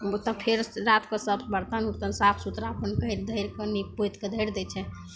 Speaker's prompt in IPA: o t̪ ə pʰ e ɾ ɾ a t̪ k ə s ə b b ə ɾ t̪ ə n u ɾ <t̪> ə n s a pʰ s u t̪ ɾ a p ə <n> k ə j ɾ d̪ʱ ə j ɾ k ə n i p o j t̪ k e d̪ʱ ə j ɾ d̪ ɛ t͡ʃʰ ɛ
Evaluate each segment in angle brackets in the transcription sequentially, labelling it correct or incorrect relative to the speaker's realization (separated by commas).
correct, correct